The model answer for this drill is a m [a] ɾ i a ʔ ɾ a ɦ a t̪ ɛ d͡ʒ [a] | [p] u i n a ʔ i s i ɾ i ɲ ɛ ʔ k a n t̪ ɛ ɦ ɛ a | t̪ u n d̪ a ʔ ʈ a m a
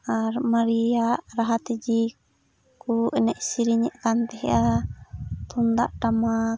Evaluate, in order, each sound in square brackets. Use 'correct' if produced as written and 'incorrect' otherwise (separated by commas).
correct, incorrect, incorrect